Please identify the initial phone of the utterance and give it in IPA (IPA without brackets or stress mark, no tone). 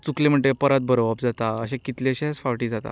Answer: t͡s